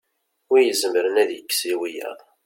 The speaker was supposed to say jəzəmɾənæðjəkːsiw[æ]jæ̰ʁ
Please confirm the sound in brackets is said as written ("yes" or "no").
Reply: no